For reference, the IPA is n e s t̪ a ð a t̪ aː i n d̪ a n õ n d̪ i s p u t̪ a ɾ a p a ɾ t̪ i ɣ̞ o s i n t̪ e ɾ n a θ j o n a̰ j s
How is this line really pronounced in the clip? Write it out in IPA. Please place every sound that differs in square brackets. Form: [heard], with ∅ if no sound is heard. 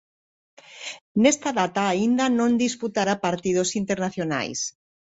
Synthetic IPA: n e s t̪ a ð a t̪ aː i n d̪ a n õ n d̪ i s p u t̪ a ɾ a p a ɾ t̪ i [ð̞] o s i n t̪ e ɾ n a θ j o n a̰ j s